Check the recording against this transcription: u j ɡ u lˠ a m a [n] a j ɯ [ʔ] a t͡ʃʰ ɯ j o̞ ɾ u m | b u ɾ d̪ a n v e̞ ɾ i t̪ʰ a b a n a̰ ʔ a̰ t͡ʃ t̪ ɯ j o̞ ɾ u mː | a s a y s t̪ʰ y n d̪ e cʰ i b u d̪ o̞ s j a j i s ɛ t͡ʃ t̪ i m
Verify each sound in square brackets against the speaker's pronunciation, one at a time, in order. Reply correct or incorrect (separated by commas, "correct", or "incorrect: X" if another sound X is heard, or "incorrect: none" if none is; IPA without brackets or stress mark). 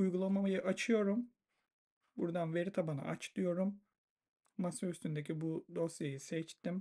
incorrect: m, correct